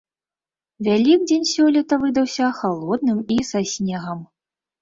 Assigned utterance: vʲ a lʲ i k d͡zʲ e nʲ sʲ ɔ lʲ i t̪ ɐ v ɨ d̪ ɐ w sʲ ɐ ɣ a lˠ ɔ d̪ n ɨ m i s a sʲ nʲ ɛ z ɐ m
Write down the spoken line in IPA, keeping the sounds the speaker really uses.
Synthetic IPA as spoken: vʲ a lʲ i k d͡zʲ e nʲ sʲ ɔ lʲ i t̪ ɐ v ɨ d̪ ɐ w sʲ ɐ x a lˠ ɔ d̪ n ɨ m i s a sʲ nʲ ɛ ɣ ɐ m